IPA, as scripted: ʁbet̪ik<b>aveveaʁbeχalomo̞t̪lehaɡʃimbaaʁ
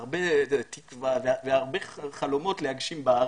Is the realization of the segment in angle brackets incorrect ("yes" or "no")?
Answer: yes